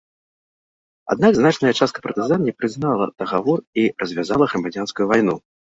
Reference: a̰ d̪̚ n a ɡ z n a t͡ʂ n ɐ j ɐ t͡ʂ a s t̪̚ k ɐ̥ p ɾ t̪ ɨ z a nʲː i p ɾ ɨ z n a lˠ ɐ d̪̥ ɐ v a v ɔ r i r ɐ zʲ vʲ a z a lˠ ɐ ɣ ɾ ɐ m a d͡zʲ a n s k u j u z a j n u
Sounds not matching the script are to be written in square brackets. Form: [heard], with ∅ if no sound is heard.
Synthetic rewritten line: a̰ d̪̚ n a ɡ z n a t͡ʂ n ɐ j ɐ t͡ʂ a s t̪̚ k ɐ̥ p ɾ t̪ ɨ z a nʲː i p ɾ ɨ z n a lˠ ɐ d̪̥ ɐ [ɣ] a v ɔ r i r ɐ zʲ vʲ a z a lˠ ɐ ɣ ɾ ɐ m a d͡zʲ a n s k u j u [v] a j n u